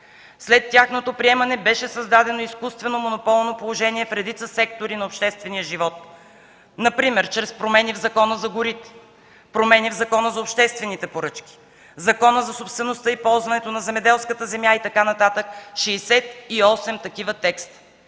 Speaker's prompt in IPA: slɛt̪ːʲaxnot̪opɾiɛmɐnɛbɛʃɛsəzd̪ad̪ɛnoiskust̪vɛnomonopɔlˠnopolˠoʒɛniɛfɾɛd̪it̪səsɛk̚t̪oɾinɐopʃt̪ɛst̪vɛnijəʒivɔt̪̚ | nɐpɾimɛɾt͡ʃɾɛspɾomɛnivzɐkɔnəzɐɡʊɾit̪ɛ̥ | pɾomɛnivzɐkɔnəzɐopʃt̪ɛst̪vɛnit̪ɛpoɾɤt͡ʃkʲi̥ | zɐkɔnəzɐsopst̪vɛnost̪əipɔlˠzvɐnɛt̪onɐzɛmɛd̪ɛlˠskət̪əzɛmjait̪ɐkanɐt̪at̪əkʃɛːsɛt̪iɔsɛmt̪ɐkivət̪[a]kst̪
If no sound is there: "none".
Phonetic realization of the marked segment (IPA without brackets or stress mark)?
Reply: ɛ